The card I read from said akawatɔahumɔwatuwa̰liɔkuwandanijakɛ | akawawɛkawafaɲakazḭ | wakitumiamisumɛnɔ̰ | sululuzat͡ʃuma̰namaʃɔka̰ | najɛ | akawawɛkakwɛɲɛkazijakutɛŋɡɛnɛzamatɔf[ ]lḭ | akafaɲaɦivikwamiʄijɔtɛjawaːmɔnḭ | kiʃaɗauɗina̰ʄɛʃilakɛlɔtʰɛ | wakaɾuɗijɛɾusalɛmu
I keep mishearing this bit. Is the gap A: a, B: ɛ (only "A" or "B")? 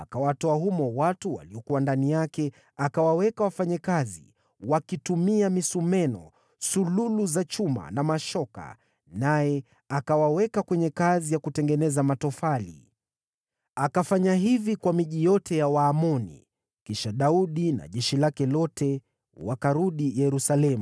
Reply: A